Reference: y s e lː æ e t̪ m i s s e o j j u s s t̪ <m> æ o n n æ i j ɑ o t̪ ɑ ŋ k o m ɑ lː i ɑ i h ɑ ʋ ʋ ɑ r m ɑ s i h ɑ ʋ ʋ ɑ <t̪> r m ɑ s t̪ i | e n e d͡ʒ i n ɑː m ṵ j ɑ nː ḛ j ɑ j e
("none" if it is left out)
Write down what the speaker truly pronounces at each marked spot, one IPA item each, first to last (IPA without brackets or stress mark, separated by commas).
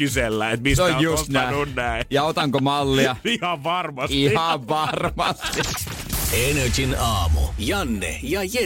n, none